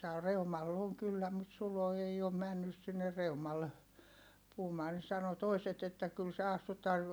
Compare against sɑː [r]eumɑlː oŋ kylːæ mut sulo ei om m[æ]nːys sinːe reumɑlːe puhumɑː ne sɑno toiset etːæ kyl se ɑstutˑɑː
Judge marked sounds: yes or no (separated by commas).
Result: yes, yes